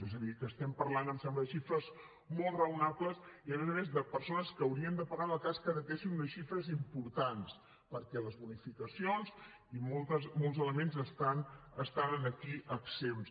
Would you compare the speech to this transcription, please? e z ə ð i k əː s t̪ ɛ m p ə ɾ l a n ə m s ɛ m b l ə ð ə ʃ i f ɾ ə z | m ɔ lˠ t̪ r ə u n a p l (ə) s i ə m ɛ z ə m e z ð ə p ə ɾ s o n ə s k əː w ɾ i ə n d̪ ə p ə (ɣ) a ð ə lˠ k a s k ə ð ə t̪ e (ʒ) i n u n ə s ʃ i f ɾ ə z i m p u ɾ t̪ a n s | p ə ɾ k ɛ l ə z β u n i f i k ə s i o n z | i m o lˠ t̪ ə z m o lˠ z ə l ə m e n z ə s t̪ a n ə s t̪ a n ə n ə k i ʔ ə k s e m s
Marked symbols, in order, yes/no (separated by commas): yes, yes, no